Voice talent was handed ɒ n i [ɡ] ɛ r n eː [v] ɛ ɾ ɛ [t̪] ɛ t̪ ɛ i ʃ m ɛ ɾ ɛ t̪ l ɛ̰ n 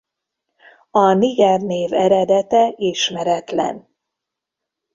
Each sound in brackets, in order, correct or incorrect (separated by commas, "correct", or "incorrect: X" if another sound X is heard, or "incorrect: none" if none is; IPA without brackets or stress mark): correct, correct, incorrect: d̪